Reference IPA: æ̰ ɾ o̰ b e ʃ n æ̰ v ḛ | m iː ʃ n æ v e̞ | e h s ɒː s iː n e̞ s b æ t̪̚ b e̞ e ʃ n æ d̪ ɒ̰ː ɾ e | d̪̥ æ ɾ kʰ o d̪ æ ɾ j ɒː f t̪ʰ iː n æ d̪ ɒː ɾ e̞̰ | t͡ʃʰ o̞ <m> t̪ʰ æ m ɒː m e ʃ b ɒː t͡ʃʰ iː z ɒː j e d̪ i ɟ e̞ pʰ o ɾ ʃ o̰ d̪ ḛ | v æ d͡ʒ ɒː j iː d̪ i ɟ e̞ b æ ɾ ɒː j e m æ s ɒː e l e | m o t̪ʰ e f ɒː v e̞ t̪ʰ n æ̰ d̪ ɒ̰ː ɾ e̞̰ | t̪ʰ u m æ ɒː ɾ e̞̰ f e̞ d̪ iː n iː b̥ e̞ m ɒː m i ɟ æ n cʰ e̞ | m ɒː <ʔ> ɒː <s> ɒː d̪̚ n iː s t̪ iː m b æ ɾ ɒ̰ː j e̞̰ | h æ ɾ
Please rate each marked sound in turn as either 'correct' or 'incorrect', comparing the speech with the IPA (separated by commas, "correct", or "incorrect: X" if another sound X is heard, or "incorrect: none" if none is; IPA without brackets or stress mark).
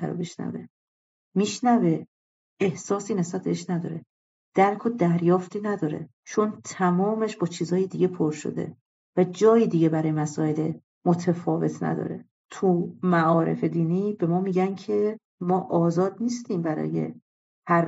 incorrect: n, correct, incorrect: z